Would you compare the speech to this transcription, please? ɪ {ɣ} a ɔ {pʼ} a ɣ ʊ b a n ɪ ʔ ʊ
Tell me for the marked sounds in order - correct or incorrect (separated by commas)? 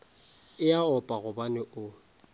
incorrect, correct